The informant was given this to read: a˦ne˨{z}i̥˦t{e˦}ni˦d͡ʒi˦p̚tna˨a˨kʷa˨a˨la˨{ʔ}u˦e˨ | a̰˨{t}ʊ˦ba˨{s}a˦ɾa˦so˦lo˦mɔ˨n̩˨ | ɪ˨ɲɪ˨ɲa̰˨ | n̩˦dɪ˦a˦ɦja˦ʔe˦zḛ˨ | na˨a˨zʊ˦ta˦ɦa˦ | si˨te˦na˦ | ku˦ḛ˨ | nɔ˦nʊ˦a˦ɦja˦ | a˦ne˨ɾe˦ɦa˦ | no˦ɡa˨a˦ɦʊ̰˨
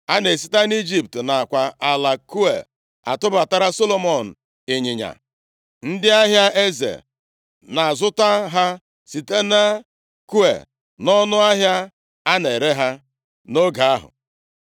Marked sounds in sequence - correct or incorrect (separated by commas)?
incorrect, incorrect, incorrect, correct, incorrect